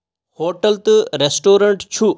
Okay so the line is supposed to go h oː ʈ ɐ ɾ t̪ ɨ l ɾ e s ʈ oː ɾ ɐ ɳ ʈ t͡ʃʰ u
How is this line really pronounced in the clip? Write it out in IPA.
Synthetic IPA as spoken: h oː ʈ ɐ l t̪ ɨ ɾ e s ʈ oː ɾ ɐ ɳ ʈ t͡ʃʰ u